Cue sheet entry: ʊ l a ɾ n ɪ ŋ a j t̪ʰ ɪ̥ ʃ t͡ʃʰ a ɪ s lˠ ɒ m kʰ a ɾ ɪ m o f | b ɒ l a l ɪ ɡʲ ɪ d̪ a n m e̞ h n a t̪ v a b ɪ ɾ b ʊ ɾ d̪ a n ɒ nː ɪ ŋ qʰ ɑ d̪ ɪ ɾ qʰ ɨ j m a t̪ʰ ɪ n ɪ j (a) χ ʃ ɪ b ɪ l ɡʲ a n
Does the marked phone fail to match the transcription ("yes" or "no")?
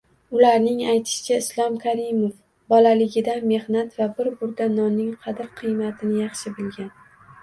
yes